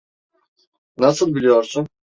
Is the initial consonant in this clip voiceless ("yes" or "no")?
no